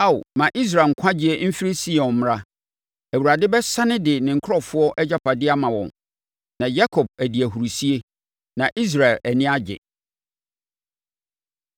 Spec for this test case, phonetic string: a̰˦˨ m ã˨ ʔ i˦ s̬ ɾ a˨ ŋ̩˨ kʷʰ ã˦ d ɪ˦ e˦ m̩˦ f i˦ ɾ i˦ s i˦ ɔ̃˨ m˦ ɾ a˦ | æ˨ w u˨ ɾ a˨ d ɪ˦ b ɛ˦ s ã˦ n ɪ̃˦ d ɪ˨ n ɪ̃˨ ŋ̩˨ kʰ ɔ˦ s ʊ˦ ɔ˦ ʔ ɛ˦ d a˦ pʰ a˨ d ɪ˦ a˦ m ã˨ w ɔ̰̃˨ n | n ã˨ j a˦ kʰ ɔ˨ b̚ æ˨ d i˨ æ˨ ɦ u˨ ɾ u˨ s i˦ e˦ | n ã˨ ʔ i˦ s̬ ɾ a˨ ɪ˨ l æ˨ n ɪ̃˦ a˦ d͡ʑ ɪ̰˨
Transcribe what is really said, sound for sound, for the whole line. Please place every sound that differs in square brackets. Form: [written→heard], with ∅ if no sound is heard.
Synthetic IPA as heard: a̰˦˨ m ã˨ ʔ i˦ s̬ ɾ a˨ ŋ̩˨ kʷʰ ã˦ [d→d͡ʑ] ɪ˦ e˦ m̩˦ f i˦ ɾ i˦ s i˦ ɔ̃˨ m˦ ɾ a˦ | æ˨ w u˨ ɾ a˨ d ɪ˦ b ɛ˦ s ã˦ n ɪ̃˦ d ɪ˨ n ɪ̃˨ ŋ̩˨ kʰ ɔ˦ [s→f] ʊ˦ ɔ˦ ʔ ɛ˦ [d→d͡ʑ] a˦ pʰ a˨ d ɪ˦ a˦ m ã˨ w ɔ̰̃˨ n | n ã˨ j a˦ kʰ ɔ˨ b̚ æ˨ d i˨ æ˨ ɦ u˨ ɾ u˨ s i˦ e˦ | n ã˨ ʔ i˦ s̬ ɾ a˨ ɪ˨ l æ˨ n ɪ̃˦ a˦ d͡ʑ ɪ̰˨

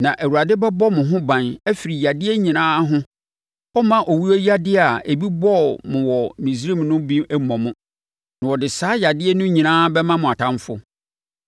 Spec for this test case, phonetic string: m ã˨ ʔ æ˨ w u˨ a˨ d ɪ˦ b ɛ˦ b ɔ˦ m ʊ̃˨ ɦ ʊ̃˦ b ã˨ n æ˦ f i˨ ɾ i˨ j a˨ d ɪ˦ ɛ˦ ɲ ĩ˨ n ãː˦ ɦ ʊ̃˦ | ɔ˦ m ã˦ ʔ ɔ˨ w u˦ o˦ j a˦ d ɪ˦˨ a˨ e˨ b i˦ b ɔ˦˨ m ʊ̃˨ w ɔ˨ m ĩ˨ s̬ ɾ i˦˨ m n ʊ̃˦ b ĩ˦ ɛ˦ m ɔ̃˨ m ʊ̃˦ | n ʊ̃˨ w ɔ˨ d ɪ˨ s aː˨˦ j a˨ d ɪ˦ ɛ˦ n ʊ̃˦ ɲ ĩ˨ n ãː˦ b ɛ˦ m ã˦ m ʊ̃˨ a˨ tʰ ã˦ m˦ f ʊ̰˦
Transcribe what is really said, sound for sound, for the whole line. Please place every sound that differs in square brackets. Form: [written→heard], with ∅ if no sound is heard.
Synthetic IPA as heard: [m→n] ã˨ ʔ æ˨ w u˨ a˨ d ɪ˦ b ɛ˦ b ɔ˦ m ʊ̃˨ ɦ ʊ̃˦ b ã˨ n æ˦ f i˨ ɾ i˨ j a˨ d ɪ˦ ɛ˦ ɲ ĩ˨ n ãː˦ ɦ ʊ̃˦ | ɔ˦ m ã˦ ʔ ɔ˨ w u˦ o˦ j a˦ d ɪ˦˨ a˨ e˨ b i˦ b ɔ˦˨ m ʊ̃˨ w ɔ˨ m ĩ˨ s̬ ɾ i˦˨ m n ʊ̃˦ b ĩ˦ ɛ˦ m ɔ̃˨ m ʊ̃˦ | n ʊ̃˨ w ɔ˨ d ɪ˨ s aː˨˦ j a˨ d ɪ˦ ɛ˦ n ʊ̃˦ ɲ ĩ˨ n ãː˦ b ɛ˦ m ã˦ m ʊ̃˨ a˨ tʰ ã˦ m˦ f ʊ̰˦

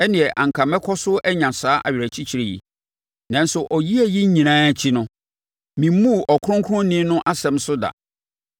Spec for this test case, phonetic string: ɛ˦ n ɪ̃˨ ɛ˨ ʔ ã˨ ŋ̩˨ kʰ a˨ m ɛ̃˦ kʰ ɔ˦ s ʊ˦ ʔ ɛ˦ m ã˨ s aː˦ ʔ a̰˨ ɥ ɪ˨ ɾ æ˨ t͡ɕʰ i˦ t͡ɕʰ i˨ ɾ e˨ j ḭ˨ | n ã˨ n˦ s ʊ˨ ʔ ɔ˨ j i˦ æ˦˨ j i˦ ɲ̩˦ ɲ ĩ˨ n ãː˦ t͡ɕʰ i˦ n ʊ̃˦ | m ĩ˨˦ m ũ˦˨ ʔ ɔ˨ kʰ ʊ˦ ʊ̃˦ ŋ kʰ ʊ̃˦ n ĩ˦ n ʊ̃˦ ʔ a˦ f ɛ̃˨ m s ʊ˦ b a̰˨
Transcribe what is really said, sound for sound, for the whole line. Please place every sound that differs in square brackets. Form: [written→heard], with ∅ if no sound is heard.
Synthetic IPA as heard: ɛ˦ n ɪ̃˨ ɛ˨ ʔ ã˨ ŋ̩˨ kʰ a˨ m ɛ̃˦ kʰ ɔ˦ s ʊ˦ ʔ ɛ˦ [m→ɲ] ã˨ s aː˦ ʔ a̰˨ ɥ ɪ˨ ɾ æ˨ t͡ɕʰ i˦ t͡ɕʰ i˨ ɾ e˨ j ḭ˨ | n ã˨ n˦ s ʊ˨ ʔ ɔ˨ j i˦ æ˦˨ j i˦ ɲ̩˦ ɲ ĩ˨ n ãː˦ t͡ɕʰ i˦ n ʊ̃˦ | m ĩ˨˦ m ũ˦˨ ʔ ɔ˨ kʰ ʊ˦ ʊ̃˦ ŋ kʰ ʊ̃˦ n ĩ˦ n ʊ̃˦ ʔ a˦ [f→s] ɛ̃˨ m s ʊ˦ [b→d] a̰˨

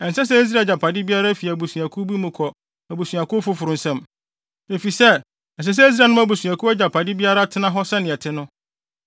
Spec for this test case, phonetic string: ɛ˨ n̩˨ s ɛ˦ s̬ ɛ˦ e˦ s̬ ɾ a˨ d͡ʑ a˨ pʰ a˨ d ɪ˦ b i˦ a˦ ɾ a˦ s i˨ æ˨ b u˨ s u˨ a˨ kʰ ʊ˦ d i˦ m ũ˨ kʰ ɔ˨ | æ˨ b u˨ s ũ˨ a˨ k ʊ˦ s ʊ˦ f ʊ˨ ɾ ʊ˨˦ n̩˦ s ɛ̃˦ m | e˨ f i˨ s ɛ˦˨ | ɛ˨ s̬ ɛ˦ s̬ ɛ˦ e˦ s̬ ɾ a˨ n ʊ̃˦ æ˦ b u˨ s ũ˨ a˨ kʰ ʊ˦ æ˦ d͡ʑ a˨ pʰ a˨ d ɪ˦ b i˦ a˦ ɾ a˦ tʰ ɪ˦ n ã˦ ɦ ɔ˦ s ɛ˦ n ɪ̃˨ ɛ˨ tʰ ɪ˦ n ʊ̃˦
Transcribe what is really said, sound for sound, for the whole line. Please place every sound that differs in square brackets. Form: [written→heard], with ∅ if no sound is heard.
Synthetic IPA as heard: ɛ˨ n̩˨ s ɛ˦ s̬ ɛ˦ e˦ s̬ ɾ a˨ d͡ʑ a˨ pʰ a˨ d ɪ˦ b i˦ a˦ ɾ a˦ [s→f] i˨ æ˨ b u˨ s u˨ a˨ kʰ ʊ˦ [d→b] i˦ m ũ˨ kʰ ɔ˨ | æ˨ b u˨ s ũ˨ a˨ k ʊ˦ [s→f] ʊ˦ f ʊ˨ ɾ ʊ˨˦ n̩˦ s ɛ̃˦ m | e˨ f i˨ s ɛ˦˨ | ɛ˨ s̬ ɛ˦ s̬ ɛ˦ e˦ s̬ ɾ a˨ n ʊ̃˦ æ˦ b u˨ s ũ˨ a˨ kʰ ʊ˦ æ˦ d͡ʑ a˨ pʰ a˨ d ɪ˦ b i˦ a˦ ɾ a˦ tʰ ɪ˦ n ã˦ ɦ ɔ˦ s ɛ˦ n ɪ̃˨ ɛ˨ tʰ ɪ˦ n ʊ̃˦

